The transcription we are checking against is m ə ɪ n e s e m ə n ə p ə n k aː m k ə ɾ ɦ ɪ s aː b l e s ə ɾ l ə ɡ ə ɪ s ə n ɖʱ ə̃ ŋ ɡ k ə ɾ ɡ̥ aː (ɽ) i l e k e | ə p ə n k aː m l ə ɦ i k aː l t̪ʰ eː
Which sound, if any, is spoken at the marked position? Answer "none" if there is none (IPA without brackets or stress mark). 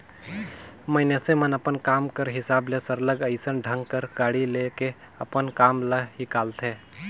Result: ɽ